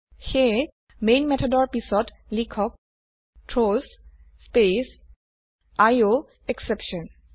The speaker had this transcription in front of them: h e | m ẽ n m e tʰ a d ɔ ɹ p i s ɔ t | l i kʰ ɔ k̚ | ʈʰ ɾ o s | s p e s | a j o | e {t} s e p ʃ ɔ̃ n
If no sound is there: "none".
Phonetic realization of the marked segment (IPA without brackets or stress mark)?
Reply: k